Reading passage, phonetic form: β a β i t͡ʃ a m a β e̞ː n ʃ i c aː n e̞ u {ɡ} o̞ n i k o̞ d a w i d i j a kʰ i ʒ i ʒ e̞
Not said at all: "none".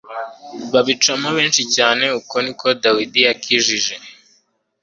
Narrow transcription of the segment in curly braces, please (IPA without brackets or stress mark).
k